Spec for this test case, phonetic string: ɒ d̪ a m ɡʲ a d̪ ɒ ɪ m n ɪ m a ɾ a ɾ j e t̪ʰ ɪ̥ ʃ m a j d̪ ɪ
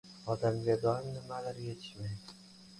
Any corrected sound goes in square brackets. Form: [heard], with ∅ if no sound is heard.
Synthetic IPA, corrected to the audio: ɒ d̪ a m ɡʲ a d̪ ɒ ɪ m n ɪ m a [l] a ɾ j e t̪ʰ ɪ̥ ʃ m a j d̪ ɪ